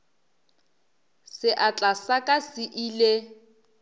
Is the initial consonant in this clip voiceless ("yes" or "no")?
yes